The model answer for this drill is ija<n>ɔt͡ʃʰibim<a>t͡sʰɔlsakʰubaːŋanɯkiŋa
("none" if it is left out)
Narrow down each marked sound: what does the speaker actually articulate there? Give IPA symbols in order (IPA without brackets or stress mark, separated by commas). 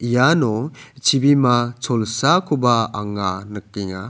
n, a